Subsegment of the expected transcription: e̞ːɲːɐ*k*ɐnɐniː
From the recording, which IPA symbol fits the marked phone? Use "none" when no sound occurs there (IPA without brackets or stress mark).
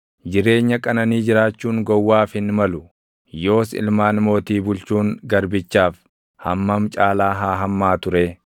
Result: kʼ